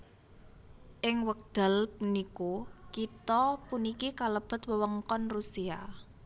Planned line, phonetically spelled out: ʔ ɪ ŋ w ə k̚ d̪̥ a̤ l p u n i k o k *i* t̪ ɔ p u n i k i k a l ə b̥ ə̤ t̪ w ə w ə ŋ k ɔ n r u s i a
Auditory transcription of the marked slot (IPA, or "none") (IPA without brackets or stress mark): i